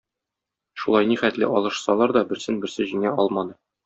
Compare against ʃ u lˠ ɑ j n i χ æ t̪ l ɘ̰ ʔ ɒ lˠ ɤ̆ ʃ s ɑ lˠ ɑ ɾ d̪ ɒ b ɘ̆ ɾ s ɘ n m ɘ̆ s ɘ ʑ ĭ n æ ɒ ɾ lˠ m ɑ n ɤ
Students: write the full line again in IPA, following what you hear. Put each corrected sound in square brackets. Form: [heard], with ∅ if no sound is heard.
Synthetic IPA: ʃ u lˠ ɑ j n i χ æ t̪ l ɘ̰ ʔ ɒ lˠ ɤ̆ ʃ s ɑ lˠ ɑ ɾ d̪ ɒ b ɘ̆ ɾ s ɘ n [b] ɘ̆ s ɘ ʑ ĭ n æ ɒ [∅] lˠ m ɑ n ɤ